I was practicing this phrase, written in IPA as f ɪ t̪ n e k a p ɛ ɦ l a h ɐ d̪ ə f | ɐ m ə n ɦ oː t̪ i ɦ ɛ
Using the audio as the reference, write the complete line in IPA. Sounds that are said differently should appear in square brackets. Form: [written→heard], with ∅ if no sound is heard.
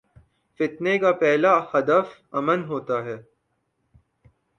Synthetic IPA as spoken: f ɪ t̪ n e k a p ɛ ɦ l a h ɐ d̪ ə f | ɐ m ə n ɦ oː t̪ [i→a] ɦ [ɛ→ɛː]